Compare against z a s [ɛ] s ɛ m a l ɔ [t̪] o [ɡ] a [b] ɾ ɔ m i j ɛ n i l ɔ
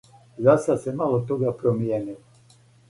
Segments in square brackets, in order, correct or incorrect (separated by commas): incorrect, correct, correct, incorrect